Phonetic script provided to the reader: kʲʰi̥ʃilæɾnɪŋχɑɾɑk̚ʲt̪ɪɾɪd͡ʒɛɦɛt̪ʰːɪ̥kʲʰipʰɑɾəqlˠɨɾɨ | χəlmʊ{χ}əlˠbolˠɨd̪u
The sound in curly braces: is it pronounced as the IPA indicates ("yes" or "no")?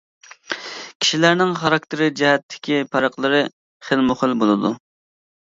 yes